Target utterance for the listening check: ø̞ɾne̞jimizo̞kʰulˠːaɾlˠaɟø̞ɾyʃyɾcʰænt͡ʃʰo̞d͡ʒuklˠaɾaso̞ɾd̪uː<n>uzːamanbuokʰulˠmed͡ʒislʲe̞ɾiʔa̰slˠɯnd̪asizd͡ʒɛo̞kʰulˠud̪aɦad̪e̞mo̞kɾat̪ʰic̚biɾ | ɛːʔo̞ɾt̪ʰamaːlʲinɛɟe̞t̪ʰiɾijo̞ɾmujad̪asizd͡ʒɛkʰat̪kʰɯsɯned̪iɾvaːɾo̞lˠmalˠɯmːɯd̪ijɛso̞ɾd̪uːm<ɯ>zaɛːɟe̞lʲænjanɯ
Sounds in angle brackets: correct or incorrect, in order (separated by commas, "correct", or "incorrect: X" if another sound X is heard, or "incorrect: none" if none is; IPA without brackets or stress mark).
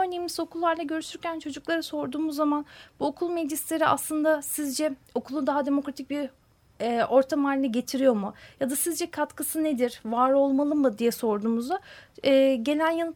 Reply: incorrect: m, incorrect: u